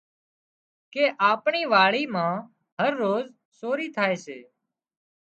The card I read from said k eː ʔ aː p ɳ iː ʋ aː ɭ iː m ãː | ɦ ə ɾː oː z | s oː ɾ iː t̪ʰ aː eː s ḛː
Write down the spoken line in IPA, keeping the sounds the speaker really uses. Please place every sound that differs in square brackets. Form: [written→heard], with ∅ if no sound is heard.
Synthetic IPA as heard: k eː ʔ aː p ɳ iː ʋ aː ɭ iː m ãː | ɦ ə ɾː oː z | s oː ɾ iː t̪ʰ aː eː s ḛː